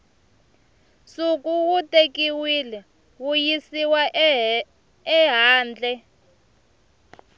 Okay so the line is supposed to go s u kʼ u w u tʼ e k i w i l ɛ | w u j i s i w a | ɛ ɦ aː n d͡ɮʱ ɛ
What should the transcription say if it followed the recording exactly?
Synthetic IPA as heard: s u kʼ u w u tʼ e k i w i l ɛ | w u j i s i w a | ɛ ɦ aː n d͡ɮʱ ɛ